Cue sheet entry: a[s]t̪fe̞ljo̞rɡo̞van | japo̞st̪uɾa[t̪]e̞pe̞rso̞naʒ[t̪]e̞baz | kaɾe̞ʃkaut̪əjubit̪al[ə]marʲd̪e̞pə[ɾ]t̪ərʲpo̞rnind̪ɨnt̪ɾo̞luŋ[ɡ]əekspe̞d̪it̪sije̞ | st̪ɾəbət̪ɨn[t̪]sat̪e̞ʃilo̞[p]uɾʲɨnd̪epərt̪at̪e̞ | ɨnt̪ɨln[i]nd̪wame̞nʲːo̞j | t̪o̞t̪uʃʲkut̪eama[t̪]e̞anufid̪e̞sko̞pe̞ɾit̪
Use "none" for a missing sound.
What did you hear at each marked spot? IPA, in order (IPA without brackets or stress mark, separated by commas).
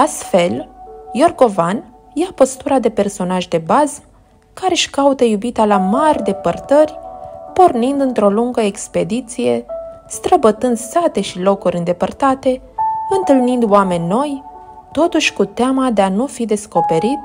s, d̪, d̪, a, r, ɡ, d̪, k, i, d̪